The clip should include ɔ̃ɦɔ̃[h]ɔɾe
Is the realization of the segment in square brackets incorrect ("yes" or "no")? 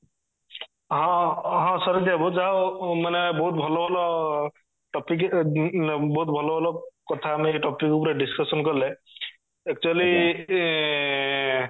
yes